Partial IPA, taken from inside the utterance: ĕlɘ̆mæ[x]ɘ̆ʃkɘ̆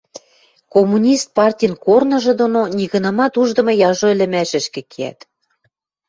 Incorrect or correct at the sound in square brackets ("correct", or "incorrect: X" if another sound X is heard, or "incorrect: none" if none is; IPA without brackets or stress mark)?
incorrect: ʃ